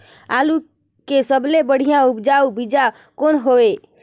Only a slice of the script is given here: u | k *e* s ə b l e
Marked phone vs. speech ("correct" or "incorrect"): correct